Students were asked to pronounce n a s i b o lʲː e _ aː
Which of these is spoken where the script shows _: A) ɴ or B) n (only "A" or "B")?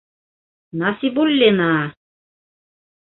B